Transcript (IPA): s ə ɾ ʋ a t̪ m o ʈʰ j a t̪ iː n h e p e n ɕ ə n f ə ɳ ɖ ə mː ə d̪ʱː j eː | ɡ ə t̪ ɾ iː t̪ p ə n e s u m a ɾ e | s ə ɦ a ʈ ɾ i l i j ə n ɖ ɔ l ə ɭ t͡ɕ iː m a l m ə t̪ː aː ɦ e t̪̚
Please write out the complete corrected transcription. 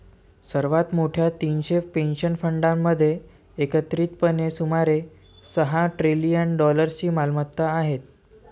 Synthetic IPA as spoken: s ə ɾ ʋ a t̪ m o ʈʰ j a t̪ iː n ɕ e p e n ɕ ə n f ə ɳ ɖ a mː ə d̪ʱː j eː | k ə t̪ ɾ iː t̪ p ə n e s u m a ɾ e | s ə ɦ a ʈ ɾ i l i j ə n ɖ ɔ l ə ɾ t͡ɕ iː m a l m ə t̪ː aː ɦ e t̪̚